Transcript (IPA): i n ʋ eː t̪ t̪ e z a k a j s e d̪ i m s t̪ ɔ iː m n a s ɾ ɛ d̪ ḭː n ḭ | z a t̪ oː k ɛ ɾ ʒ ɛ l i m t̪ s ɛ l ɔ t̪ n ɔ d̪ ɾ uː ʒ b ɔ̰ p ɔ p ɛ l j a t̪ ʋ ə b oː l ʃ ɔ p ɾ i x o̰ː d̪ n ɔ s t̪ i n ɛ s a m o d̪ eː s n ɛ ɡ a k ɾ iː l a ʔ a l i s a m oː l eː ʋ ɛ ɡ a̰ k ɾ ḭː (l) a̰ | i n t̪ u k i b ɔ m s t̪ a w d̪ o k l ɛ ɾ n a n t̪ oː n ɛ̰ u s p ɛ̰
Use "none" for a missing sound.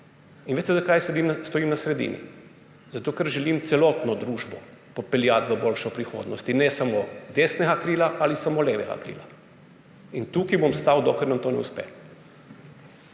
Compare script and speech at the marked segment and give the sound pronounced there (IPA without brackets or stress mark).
l